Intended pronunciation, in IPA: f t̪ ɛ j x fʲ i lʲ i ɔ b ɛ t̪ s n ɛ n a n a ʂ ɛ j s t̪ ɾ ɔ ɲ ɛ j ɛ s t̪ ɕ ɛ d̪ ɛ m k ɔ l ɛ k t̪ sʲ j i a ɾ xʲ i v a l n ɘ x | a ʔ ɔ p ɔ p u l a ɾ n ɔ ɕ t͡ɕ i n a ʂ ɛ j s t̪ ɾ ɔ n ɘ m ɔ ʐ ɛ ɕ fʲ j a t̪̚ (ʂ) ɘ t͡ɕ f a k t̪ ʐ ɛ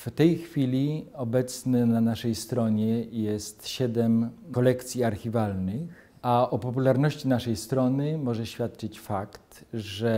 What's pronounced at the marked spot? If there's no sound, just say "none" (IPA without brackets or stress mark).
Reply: t͡ʂ